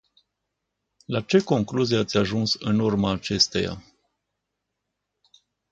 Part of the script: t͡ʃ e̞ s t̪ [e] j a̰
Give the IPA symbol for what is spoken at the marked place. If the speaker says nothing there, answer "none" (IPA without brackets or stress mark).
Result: e